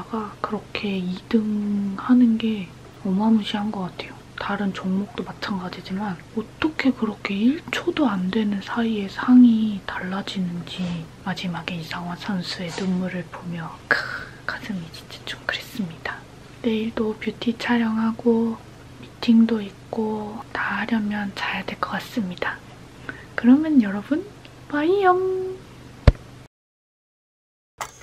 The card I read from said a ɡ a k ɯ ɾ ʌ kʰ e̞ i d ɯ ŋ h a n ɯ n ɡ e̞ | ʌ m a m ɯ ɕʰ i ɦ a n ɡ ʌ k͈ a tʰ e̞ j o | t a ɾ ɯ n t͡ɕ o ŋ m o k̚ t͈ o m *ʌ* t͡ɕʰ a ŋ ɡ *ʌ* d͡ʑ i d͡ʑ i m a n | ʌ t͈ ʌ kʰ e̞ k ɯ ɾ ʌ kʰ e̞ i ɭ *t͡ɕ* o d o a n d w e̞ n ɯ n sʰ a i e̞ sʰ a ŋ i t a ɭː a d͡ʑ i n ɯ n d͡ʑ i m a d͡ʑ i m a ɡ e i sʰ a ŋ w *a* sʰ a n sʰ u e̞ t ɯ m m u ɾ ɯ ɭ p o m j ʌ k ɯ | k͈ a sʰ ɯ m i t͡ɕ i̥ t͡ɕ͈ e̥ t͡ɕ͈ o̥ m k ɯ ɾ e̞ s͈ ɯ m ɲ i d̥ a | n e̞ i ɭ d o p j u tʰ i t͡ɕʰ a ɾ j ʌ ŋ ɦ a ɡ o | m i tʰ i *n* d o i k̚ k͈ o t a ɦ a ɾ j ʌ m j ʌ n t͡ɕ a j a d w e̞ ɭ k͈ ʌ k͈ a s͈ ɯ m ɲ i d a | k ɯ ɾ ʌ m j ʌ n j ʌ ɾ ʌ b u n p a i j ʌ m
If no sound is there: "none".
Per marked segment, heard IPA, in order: a, a, t͡ɕʰ, a, ŋ

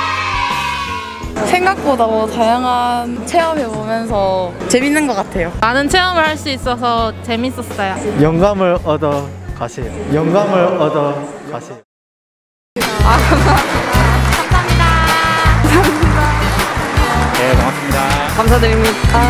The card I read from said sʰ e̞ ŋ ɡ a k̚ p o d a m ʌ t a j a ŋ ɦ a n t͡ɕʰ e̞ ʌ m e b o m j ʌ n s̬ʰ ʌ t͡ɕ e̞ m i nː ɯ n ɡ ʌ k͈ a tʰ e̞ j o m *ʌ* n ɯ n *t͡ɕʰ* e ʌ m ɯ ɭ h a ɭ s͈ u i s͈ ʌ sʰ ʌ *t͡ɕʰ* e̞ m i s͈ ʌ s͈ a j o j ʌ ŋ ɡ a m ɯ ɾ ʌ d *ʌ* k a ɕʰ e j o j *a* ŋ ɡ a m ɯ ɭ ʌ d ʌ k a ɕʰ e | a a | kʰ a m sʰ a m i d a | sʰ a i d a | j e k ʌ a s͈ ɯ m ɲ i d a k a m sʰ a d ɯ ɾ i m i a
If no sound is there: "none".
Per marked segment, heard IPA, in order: a, t͡ɕʰ, t͡ɕ, ʌ, ʌ

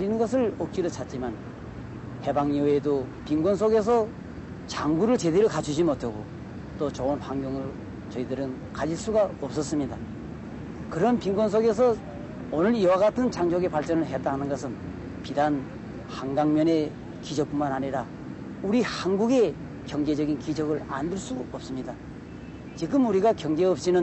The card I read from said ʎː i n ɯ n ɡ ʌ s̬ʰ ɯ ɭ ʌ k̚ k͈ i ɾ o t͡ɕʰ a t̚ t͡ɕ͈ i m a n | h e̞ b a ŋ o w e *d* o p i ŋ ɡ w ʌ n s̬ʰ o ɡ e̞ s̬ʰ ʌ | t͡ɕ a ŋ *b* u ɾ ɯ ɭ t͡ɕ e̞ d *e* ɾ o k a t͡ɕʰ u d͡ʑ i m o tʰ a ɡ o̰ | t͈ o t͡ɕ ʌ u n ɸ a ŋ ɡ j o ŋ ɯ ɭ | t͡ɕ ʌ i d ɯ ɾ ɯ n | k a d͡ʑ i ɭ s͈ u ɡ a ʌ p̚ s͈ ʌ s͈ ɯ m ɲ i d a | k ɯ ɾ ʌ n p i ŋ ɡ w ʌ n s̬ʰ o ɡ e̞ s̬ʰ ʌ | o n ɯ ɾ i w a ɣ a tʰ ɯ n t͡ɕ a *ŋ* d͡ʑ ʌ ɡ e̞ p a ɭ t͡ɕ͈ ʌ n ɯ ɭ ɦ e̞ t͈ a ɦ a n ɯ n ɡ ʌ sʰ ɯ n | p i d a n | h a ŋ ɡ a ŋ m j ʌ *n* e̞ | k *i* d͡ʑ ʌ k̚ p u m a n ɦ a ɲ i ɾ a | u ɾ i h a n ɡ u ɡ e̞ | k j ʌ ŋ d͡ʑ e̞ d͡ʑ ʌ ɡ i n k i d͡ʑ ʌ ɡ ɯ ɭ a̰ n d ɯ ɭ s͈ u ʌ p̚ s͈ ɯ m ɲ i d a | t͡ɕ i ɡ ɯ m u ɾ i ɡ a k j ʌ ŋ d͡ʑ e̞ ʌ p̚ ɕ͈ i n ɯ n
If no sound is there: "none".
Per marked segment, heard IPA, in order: d, ɡ, e, ŋ, n, i

